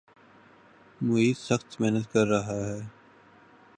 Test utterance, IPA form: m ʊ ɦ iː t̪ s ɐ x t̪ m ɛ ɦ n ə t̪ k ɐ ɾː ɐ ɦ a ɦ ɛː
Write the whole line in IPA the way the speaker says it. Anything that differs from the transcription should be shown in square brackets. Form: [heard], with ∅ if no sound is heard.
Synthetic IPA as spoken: m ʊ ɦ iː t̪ s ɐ x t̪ m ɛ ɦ n ə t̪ k ɐ ɾː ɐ ɦ a ɦ ɛː